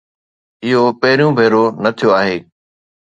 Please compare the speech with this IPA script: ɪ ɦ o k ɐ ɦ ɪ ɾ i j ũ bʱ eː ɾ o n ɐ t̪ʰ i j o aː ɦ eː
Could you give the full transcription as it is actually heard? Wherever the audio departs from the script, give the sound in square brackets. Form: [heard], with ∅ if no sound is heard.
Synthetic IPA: ɪ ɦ o [p] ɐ ɦ ɪ ɾ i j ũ bʱ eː ɾ o n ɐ t̪ʰ i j o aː ɦ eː